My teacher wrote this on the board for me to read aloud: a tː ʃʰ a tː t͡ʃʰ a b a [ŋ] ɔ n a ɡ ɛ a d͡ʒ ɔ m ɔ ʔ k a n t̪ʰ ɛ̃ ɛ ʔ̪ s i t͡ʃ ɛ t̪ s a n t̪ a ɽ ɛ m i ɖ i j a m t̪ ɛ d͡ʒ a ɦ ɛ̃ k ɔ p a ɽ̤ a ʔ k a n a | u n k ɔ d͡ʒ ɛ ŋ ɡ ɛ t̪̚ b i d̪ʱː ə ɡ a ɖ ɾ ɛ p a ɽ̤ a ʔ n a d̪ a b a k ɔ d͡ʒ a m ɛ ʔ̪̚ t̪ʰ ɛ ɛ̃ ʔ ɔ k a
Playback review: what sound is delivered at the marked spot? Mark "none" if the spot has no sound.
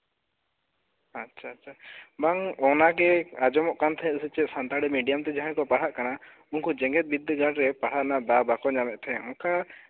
ŋ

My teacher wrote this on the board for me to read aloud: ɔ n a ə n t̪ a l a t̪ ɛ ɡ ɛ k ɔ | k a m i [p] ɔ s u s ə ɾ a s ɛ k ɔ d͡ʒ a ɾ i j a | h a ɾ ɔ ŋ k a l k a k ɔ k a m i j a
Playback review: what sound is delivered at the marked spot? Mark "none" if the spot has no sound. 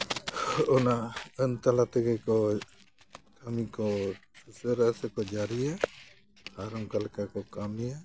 k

